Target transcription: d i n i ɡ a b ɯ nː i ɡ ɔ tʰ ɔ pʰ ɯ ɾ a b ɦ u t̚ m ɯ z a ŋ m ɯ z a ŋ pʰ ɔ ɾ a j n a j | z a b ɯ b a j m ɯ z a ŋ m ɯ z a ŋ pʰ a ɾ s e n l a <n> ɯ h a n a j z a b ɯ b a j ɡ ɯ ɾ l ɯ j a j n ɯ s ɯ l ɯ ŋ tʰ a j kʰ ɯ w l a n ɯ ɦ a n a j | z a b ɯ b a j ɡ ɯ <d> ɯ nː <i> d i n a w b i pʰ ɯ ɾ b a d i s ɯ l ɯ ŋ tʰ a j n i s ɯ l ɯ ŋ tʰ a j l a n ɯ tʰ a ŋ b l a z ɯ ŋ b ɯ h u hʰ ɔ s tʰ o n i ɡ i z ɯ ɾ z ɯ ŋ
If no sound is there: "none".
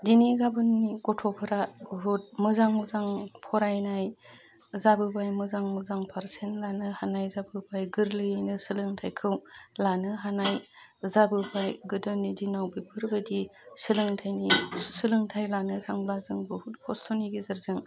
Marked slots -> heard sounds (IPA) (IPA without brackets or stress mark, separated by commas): n, d, i